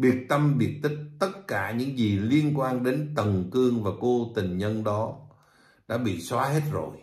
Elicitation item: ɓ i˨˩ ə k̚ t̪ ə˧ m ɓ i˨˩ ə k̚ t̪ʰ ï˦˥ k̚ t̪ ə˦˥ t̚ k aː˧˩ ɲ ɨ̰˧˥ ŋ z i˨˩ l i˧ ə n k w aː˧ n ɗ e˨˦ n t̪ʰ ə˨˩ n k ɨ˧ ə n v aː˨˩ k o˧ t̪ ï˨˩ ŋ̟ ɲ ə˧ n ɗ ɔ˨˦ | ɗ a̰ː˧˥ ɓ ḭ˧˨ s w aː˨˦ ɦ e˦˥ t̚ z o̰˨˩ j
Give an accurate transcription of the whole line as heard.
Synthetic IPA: ɓ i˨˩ ə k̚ t̪ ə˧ m ɓ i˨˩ ə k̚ t̪ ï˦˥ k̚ t̪ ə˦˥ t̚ k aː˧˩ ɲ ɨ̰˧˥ ŋ z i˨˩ l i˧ ə n k w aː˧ n ɗ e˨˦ n t̪ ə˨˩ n k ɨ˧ ə ŋ v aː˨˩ k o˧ t̪ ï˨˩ ŋ̟ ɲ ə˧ n ɗ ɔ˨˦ | ɗ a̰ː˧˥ ɓ ḭ˧˨ s w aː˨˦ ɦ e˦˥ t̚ z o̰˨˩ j

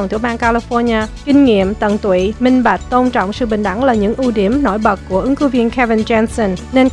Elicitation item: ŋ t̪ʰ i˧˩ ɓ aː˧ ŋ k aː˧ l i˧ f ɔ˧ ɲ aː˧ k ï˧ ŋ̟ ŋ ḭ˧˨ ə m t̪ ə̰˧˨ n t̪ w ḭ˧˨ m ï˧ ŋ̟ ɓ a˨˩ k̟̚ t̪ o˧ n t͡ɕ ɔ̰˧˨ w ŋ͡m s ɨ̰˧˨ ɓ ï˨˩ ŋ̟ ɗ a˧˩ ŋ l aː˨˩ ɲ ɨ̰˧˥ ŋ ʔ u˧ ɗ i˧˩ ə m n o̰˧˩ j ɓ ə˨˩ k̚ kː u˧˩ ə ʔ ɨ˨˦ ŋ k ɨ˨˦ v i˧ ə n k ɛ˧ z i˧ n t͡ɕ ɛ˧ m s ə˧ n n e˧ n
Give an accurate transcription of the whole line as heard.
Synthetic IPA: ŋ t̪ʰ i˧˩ ɓ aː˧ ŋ k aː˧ l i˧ f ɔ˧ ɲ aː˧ k ï˧ ŋ̟ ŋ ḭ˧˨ ə m t̪ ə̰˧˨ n t̪ w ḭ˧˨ m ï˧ ŋ̟ ɓ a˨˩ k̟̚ t̪ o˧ n t͡ɕ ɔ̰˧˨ w ŋ͡m s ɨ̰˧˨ ɓ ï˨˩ ŋ̟ ɗ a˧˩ ŋ l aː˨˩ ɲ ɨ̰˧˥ ŋ ʔ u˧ ɗ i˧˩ ə m n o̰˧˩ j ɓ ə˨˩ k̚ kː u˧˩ ə ʔ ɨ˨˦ ŋ k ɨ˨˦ v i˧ ə n k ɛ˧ v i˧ n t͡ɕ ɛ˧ n s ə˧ n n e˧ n

